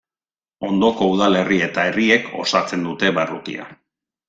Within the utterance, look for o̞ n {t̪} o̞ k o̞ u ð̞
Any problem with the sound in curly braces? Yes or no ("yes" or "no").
yes